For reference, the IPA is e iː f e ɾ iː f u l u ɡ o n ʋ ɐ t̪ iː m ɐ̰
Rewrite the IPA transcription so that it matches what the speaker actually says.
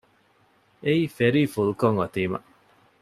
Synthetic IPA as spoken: e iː f e ɾ iː f u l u k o ŋ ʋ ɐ t̪ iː m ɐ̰